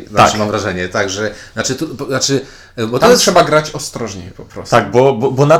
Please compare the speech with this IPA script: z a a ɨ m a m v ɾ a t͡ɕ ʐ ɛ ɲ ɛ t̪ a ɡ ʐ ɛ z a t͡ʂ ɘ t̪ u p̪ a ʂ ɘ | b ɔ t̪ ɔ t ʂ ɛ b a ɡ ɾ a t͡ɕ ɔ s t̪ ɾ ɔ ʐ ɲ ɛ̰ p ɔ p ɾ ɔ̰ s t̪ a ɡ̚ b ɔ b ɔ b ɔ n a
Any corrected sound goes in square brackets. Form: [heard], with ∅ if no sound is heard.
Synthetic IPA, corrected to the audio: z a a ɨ m a m v ɾ a [∅] ʐ ɛ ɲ ɛ t̪ a ɡ ʐ ɛ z a t͡ʂ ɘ t̪ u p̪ a [t͡ʂ] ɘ | b ɔ t̪ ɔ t ʂ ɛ b a ɡ ɾ a t͡ɕ ɔ s t̪ ɾ ɔ ʐ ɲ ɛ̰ p ɔ p ɾ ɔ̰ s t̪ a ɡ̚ b ɔ b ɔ b ɔ n a